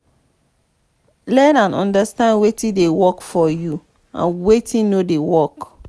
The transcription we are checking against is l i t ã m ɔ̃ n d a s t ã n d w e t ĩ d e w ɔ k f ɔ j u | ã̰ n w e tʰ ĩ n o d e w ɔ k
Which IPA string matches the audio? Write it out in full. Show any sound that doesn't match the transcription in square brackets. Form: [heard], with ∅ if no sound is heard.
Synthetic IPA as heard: l [ɛ] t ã [n] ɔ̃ n d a s t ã n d w e t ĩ d e w ɔ k f ɔ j u | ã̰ n w e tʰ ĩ n o d e w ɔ k